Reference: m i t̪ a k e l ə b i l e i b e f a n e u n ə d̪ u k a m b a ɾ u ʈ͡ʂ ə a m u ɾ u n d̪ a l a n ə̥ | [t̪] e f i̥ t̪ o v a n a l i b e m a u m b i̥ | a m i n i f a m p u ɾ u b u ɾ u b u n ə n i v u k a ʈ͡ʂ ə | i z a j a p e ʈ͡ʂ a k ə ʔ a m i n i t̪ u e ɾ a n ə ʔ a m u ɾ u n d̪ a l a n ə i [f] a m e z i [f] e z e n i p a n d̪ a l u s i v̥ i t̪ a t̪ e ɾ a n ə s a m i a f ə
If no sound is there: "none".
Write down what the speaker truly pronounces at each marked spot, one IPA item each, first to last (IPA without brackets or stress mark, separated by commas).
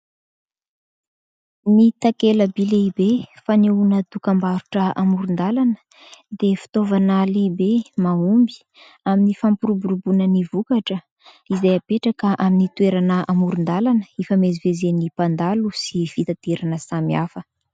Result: d̪, f, v